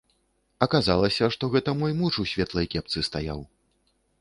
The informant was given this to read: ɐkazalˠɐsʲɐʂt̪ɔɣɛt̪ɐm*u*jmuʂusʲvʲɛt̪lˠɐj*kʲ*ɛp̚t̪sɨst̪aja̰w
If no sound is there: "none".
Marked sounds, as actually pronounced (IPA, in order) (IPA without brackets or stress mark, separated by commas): ɔ, kʲ